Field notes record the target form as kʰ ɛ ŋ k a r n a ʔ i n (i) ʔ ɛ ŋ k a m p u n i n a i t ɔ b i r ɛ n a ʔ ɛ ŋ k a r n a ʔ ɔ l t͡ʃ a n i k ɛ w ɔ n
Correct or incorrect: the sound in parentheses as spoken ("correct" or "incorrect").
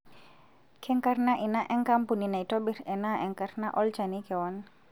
incorrect